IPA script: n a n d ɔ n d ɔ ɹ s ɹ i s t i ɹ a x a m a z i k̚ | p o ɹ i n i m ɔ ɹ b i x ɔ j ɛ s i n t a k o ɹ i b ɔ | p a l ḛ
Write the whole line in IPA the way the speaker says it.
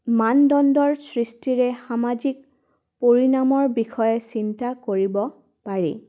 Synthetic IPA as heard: m a n d ɔ n d ɔ ɹ s ɹ i s t i ɹ ɛ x a m a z i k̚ | p o ɹ i n a m ɔ ɹ b i x ɔ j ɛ s i n t a k o ɹ i b ɔ | p a ɹ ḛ

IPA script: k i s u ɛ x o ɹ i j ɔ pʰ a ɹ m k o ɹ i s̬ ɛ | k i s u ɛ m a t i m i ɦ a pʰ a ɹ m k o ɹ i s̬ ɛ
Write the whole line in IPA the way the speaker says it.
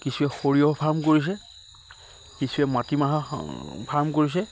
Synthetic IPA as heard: k i s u ɛ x o ɹ i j ɔ pʰ a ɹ m k o ɹ i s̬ ɛ | k i s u ɛ m a t i m a ɦ a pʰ a ɹ m k o ɹ i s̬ ɛ

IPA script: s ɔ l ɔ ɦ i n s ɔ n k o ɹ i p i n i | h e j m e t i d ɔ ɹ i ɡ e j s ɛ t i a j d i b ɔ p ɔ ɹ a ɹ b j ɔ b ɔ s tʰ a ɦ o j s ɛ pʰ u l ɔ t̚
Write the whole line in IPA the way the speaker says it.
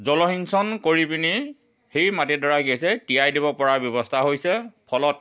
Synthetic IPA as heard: z ɔ l ɔ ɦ i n s ɔ n k o ɹ i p i n i | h e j m a t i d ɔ ɹ a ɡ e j s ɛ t i a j d i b ɔ p ɔ ɹ a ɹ b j ɔ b ɔ s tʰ a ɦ o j s ɛ pʰ ɔ l ɔ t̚

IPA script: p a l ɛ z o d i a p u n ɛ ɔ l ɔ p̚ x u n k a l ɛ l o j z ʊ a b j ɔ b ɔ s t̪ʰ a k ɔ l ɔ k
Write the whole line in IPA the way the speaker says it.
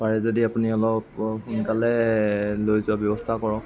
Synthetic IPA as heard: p a ɹ ɛ z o d i a p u n i ɔ l ɔ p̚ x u n k a l ɛ l o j z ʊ a b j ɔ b ɔ s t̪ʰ a k ɔ ɹ ɔ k

